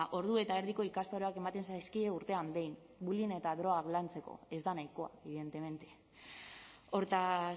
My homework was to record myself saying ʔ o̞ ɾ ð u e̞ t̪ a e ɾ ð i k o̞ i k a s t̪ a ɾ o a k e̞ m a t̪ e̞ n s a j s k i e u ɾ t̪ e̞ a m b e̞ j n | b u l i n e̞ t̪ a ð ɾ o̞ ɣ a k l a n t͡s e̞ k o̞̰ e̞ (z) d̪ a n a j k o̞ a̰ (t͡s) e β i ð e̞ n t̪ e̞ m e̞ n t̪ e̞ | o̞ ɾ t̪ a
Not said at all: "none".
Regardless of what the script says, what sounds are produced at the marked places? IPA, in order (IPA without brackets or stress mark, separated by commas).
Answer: z, none